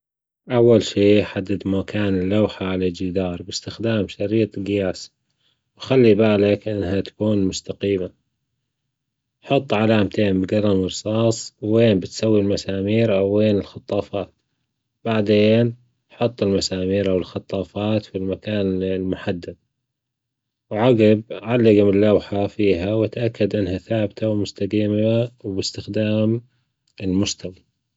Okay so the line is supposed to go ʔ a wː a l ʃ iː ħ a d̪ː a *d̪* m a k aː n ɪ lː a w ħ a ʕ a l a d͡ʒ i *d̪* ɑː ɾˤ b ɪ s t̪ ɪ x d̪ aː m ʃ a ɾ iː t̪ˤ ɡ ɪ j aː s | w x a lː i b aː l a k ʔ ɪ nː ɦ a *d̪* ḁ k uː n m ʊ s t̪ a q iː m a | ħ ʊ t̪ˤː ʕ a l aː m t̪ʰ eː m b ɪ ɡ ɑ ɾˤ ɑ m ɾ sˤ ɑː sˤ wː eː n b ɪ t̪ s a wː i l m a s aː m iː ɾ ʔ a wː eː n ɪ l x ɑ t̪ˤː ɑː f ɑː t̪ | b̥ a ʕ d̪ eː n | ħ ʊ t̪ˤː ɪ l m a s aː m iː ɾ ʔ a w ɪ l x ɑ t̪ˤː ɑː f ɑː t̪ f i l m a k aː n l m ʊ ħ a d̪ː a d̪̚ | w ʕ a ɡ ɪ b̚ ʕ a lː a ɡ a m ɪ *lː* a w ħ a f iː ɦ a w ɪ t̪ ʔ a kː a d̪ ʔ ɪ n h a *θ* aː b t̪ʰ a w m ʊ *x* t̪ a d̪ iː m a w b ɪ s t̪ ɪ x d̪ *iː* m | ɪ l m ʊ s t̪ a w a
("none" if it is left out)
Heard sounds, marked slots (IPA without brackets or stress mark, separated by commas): d̪, d̪, t̪, lː, θ, s, aː